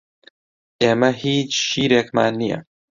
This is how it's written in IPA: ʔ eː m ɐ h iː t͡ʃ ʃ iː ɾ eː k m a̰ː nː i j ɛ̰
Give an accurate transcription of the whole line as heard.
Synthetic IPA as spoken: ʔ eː m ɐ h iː t͡ʃ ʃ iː ɾ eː k m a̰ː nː i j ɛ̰